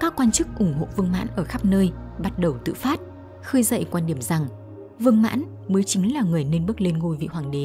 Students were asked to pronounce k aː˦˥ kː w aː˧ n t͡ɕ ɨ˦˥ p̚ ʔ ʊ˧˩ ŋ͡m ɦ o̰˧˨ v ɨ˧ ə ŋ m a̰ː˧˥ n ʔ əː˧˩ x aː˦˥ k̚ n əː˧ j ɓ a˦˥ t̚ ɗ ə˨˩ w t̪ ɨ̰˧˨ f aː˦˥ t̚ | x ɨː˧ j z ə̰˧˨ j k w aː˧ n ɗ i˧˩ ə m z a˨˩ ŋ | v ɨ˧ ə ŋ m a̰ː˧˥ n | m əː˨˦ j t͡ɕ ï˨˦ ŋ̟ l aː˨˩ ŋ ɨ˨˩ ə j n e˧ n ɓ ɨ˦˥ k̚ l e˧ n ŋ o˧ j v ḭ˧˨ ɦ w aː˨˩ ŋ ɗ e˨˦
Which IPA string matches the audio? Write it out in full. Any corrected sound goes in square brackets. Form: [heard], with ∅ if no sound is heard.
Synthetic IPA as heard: k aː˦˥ kː w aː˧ n t͡ɕ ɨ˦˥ [k̚] ʔ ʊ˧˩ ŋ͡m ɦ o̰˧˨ v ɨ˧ ə ŋ m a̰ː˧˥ n ʔ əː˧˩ x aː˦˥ [p̚] n əː˧ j ɓ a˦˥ t̚ ɗ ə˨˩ w t̪ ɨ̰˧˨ f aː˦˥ t̚ | x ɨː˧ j z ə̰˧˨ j k w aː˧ n ɗ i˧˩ ə m z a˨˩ ŋ | v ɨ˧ ə ŋ m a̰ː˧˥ n | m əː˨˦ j t͡ɕ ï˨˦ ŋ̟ l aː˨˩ ŋ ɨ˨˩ ə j n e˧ n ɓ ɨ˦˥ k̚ l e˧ n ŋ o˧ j v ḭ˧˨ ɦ w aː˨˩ ŋ ɗ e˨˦